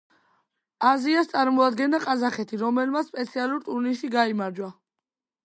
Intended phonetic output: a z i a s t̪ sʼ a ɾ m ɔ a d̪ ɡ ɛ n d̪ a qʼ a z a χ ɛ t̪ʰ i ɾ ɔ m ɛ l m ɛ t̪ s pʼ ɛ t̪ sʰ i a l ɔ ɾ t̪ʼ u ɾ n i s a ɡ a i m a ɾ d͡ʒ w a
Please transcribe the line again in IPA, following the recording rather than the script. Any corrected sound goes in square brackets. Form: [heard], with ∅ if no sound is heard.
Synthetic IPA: a z i a s t̪ sʼ a ɾ m ɔ a d̪ ɡ ɛ n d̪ a qʼ a z a χ ɛ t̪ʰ i ɾ ɔ m ɛ l m [a] t̪ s pʼ ɛ t̪ sʰ i a l [u] ɾ t̪ʼ u ɾ n i s [i] ɡ a i m a ɾ d͡ʒ w a